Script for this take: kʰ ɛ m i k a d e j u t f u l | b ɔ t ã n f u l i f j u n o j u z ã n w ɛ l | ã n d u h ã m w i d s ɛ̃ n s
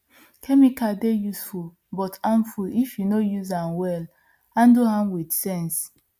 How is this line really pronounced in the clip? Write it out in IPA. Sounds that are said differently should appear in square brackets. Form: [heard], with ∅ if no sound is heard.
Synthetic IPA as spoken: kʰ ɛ m i k a d e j u [s] f u l | b ɔ t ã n f u l i f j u n o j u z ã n w ɛ l | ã n d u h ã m w i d s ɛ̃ n s

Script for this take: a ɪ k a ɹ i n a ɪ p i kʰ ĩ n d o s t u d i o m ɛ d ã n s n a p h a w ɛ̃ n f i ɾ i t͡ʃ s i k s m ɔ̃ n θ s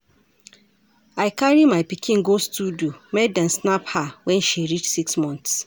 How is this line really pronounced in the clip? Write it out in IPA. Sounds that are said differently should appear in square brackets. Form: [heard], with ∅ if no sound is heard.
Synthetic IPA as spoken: a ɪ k a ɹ i [m] a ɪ p i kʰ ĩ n [ɡ] o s t u d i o m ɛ d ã n s n a p h a w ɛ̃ n [ʃ] i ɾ i t͡ʃ s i k s m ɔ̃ n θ s

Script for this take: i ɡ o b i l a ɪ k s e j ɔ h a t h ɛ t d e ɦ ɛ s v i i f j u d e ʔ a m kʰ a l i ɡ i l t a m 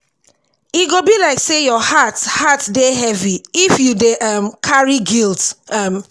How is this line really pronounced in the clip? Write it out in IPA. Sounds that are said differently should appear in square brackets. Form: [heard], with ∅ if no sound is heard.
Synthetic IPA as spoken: i ɡ o b i l a ɪ k s e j ɔ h a t h [a] t d e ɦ ɛ [∅] v i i f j u d e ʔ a m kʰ a [ɹ] i ɡ i l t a m

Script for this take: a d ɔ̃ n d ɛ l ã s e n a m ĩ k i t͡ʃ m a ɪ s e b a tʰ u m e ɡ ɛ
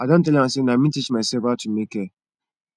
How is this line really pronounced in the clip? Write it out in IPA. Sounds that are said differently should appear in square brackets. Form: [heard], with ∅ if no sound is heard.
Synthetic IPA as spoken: a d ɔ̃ n [t] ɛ l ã s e n a m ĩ [t] i t͡ʃ m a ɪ s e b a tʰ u m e [k] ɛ

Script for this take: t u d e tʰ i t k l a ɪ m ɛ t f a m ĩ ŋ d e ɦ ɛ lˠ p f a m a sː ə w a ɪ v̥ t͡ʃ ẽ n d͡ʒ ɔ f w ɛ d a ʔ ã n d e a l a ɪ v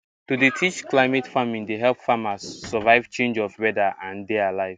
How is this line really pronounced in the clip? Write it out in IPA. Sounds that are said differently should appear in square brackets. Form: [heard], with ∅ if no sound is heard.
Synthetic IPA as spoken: t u d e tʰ i [t͡ʃ] k l a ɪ m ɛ t f a m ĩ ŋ d e ɦ ɛ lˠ p f a m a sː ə [v] a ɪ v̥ t͡ʃ ẽ n d͡ʒ ɔ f w ɛ d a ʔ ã n d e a l a ɪ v

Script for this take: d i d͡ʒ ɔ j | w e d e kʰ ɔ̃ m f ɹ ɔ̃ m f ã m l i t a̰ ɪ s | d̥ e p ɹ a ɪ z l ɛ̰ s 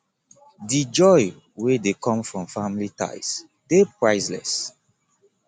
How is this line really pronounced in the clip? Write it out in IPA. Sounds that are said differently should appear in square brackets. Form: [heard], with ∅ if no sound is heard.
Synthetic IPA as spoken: d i d͡ʒ ɔ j | w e d e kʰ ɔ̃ m f ɹ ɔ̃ m f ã m l i t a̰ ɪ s | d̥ e p ɹ a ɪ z l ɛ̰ s

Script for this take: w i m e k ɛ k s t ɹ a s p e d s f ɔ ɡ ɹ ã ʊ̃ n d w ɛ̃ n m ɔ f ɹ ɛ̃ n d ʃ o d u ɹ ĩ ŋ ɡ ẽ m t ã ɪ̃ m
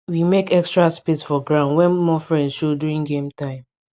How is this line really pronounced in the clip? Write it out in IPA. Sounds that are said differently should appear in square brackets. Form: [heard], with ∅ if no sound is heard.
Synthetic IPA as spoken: w i m e k ɛ k s t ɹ a s p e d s f ɔ ɡ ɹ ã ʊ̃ n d w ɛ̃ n m ɔ f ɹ ɛ̃ n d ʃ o d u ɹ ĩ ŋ ɡ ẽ m t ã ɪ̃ m

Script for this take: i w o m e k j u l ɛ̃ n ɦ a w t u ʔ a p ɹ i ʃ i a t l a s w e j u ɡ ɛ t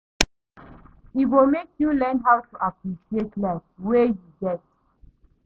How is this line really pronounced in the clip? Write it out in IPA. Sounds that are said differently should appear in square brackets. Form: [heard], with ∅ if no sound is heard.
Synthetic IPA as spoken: i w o m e k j u l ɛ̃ n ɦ a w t u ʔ a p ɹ i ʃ i [e] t l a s w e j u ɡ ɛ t

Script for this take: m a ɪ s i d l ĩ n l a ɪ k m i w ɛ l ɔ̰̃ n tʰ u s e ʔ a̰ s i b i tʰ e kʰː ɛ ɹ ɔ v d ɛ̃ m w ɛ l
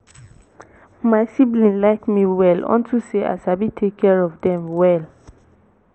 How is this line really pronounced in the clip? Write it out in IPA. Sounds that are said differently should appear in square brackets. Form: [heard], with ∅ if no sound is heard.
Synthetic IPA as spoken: m a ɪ s i [b] l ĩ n l a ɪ k m i w ɛ l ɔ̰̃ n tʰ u s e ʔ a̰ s [a] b i tʰ e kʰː ɛ ɹ ɔ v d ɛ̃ m w ɛ l

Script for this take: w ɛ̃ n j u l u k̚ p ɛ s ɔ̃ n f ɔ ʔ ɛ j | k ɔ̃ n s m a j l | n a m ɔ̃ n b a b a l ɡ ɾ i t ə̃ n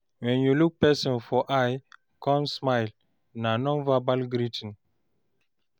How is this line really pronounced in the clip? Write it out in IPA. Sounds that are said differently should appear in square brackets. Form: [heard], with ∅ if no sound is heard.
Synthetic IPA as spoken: w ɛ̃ n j u l u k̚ p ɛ s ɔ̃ n f ɔ ʔ [a] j | k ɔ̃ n s m a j l | n a [n] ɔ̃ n [v] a b a l ɡ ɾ i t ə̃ n

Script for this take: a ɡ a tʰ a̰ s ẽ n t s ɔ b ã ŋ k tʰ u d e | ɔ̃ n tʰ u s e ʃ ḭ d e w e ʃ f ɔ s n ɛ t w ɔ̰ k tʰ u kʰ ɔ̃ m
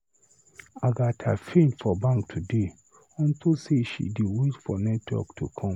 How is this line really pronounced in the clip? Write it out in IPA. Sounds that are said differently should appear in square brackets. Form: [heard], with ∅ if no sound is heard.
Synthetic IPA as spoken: a ɡ a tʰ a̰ [f] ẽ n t [f] ɔ b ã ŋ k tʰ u d e | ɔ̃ n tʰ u s e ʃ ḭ d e w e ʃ f ɔ [∅] n ɛ t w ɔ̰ k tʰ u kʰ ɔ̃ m

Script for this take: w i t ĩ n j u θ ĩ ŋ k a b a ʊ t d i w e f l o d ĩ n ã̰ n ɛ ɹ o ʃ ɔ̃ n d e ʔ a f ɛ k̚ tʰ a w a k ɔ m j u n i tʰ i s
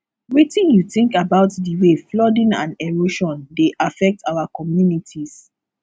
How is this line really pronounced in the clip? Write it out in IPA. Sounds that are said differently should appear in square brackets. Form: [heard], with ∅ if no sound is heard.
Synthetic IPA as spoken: w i t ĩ n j u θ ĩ ŋ k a b a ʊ t d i w e f l [ɔ] d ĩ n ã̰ n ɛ ɹ o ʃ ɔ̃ n d e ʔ a f ɛ k̚ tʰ a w a k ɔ m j u n i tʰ i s

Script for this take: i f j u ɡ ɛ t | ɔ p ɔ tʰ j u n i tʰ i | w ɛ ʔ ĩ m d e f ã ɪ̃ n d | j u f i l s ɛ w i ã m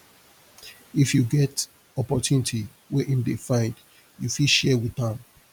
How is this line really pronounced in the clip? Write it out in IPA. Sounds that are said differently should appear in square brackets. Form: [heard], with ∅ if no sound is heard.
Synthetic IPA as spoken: i f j u ɡ ɛ t | ɔ p ɔ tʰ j u n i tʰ i | w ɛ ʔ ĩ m d e f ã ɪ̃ n d | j u f i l [ʃ] ɛ w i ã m

